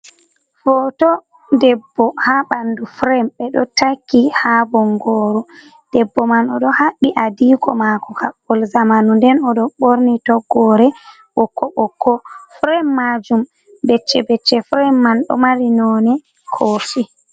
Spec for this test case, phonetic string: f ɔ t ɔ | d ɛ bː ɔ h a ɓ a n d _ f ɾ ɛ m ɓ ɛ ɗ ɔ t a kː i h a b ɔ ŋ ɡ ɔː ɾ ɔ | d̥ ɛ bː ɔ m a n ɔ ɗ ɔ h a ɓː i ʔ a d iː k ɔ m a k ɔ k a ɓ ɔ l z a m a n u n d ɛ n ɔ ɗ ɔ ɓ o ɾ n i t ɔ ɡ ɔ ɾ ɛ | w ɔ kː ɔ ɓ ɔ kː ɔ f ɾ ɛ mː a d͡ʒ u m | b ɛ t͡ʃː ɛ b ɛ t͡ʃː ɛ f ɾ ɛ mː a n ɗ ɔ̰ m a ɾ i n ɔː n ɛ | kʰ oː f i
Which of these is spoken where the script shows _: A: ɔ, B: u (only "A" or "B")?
B